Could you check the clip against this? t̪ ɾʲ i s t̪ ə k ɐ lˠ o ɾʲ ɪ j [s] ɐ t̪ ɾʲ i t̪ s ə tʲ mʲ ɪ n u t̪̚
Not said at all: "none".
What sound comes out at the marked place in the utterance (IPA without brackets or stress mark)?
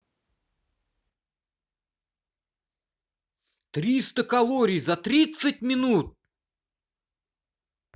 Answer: z